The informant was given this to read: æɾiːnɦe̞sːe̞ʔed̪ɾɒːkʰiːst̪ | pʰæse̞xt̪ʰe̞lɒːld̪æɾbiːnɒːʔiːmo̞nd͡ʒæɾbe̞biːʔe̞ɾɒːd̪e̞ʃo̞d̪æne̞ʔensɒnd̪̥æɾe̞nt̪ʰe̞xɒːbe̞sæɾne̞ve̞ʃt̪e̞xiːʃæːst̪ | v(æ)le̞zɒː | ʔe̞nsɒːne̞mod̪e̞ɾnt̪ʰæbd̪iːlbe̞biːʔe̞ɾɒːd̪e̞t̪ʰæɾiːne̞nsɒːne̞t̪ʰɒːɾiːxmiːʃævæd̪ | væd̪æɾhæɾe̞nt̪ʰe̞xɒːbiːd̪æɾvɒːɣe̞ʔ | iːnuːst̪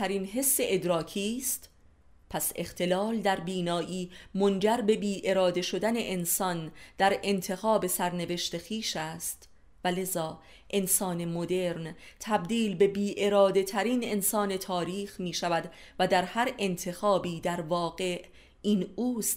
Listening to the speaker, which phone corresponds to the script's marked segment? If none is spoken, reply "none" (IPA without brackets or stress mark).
æ